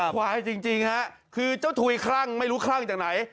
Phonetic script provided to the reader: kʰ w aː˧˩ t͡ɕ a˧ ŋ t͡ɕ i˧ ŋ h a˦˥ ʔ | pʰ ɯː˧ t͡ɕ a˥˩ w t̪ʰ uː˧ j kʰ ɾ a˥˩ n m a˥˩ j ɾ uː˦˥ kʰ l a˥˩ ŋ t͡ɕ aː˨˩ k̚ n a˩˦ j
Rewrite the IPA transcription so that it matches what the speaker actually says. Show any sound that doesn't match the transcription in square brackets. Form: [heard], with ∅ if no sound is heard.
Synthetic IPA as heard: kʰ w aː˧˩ t͡ɕ [i˧] ŋ t͡ɕ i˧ ŋ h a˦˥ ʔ | [kʰ] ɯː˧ t͡ɕ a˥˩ w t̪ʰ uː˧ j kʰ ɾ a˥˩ [ŋ] m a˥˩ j ɾ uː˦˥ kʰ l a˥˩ ŋ t͡ɕ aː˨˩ k̚ n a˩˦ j